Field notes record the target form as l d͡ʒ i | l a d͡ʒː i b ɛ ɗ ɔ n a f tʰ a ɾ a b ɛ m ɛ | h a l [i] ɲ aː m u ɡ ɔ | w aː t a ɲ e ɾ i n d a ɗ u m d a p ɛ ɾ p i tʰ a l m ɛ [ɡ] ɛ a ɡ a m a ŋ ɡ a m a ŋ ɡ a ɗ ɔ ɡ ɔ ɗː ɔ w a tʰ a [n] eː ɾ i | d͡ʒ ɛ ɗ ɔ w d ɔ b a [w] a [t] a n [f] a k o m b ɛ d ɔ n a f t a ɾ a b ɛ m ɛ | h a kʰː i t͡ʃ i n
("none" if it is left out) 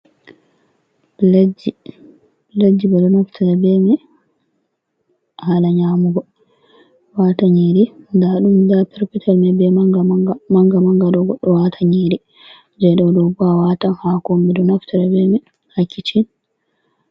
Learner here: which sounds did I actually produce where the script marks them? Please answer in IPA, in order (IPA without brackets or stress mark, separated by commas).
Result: a, b, ɲ, w, t, h